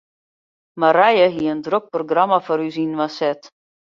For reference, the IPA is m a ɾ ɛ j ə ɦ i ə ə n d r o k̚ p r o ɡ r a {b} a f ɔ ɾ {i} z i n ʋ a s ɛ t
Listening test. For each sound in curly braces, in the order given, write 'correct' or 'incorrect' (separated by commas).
incorrect, incorrect